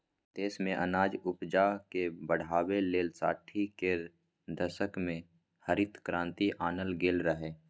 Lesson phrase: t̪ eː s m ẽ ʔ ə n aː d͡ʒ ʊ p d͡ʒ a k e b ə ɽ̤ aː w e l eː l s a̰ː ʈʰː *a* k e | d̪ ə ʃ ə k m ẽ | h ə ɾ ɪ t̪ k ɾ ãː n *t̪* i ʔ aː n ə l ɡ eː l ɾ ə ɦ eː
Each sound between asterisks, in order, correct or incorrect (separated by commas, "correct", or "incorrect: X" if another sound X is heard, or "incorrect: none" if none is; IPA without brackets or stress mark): incorrect: i, correct